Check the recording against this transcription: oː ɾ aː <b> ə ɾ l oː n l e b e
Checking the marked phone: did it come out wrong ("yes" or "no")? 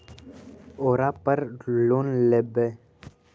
yes